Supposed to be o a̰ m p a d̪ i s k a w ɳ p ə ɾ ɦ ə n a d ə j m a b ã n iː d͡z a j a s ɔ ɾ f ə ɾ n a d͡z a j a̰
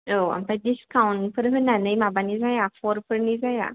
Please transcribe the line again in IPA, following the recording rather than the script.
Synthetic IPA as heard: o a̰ m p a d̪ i s k a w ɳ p ə ɾ ɦ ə n a n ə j m a b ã n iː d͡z a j a f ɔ ɾ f ə ɾ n i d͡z a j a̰